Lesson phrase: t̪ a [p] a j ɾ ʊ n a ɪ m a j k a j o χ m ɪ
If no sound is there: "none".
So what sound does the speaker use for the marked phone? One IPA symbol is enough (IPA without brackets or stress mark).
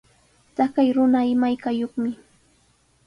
k